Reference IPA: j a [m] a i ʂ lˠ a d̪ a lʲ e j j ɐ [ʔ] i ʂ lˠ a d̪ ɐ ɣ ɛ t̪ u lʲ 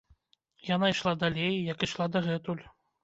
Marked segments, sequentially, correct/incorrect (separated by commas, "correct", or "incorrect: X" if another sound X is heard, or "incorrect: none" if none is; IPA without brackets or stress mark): incorrect: n, incorrect: k